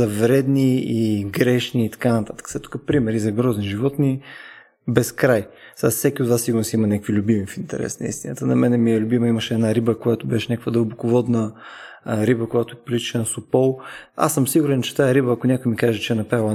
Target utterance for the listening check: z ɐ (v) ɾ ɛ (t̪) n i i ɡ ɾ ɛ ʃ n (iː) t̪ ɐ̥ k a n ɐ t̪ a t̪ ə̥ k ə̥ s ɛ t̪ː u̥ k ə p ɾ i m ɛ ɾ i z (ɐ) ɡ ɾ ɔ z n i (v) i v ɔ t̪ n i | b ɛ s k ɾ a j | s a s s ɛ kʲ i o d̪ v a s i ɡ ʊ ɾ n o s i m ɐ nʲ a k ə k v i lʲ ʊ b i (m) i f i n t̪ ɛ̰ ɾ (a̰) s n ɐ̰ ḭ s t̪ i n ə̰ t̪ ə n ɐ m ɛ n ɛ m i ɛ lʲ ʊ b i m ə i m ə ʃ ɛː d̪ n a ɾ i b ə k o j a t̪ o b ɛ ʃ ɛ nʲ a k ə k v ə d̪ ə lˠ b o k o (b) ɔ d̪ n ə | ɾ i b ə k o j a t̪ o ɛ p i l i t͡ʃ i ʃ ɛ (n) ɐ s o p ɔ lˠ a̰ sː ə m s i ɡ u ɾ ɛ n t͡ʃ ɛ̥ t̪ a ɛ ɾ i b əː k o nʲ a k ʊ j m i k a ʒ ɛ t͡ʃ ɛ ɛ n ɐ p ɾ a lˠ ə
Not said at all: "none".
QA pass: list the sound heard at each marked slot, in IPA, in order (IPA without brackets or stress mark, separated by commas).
v, d̪, iː, ɐ, ʒ, m, ɛ̰, v, n